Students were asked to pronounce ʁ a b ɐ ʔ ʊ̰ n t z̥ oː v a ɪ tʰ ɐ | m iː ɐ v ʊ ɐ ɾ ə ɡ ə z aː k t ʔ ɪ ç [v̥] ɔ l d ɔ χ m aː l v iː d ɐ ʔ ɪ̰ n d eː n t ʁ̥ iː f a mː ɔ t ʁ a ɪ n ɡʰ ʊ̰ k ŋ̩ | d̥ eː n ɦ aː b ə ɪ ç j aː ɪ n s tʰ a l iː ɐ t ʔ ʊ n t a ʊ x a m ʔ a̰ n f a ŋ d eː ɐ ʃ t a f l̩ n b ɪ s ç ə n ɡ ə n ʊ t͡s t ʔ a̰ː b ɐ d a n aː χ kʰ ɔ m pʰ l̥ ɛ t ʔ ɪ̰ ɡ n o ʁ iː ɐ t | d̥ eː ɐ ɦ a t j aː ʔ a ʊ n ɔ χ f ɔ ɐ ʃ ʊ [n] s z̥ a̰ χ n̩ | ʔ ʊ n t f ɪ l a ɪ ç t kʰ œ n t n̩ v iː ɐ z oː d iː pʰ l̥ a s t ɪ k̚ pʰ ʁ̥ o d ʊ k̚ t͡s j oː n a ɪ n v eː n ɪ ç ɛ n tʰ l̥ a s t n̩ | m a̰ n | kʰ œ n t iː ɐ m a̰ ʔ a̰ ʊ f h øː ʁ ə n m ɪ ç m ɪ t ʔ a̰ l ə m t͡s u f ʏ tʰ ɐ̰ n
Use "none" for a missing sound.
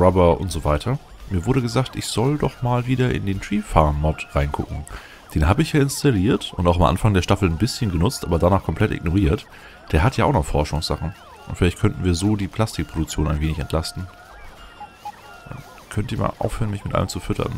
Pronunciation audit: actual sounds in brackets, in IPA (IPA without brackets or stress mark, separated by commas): z̥, ŋ